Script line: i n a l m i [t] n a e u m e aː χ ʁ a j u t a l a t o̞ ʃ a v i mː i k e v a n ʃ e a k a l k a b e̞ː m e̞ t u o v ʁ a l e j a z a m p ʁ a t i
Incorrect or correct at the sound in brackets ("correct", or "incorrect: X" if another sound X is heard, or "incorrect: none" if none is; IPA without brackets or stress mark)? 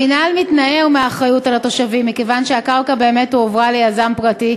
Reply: correct